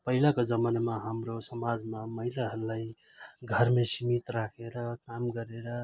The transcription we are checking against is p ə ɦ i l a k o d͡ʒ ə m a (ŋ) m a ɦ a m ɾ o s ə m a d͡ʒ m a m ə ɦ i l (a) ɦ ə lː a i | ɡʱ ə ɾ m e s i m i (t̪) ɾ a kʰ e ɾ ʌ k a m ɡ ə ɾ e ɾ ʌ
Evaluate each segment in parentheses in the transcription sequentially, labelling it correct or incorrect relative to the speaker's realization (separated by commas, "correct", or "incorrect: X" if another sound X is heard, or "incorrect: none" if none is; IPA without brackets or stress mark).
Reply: incorrect: n, correct, correct